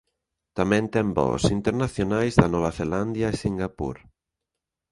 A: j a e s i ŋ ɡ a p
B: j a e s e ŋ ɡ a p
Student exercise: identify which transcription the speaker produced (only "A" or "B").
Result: A